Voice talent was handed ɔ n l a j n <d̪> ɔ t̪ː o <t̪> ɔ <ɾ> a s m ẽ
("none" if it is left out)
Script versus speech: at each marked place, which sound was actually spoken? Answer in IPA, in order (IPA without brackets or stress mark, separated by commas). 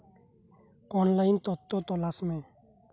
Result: t̪, t̪, l